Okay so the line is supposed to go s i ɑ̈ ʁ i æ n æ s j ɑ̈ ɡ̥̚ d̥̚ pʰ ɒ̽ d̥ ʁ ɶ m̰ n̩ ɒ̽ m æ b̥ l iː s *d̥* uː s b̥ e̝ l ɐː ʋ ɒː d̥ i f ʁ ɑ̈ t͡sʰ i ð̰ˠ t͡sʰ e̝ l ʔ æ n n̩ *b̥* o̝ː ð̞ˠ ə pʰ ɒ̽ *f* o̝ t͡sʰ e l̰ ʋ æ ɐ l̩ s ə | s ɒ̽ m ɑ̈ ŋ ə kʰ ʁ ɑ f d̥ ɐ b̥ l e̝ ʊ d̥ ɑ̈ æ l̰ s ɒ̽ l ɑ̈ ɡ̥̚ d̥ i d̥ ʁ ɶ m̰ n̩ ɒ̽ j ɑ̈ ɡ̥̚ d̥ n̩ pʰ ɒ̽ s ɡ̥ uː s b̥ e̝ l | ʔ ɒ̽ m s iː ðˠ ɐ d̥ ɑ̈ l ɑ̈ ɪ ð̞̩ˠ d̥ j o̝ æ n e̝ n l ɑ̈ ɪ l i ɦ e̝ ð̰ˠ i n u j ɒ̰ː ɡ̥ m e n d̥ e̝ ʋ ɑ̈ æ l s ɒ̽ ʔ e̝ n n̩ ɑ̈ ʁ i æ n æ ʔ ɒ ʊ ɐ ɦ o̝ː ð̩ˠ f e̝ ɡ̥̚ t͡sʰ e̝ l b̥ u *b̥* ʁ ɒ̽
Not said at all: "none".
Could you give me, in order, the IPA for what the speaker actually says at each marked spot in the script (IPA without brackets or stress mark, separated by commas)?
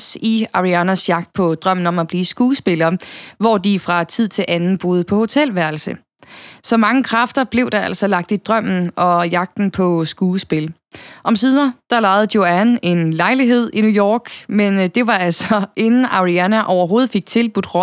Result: ɡ̥, b̥, h, d̥